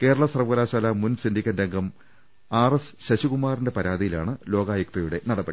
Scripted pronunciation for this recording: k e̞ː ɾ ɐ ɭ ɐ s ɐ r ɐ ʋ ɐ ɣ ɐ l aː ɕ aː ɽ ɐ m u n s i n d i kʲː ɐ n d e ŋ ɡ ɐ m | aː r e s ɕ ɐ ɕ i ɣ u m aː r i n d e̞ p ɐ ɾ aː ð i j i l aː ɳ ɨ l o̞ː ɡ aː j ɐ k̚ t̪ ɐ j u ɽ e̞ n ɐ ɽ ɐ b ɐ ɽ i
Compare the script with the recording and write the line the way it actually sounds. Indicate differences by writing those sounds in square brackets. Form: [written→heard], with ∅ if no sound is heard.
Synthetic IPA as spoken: k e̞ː ɾ ɐ ɭ ɐ s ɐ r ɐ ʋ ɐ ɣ ɐ l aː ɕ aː [ɽ→l] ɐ m u n s i n d i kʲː ɐ n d e ŋ ɡ ɐ m | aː r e s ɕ ɐ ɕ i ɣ u m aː r i n d e̞ p ɐ ɾ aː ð i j i l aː ɳ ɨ l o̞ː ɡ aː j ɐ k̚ t̪ ɐ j u ɽ e̞ n ɐ ɽ ɐ b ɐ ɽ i